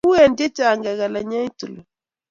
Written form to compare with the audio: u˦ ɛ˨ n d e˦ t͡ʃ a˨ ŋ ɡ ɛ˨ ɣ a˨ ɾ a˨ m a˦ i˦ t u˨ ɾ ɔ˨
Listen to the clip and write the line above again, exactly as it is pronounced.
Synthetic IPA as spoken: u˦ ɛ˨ n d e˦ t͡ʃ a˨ ŋ ɡ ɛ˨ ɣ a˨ l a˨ ɲ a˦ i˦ t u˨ l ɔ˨